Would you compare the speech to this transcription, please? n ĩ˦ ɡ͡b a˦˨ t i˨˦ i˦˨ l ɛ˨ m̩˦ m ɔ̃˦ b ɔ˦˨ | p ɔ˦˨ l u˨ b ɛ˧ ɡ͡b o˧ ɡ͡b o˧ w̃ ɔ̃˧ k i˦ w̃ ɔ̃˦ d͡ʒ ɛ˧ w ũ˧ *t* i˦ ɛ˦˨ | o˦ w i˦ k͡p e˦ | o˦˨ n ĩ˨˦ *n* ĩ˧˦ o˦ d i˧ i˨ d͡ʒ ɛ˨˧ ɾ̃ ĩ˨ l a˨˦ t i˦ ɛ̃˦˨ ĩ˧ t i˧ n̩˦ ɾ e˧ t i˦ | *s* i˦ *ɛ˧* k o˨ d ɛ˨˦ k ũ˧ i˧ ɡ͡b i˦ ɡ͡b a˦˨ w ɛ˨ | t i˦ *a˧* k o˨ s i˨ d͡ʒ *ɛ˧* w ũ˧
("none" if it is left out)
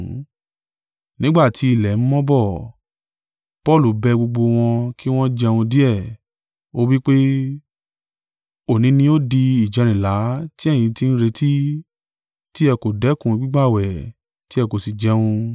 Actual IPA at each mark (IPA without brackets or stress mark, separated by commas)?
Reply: d, n, t, ɛ˧, ɛ˧, ɛ˧